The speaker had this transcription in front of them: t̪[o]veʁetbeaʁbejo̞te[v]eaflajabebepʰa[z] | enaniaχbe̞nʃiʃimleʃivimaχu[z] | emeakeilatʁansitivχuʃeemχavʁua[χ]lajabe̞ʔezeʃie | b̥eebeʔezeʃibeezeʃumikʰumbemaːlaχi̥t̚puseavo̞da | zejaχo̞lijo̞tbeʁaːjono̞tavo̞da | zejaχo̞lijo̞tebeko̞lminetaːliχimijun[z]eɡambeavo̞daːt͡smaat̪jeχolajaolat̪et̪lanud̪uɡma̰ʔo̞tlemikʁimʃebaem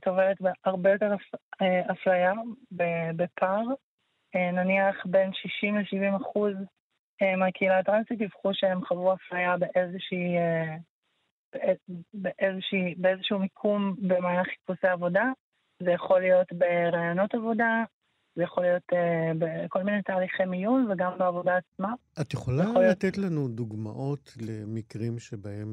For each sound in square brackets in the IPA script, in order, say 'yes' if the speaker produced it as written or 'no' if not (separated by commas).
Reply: yes, no, no, yes, no, no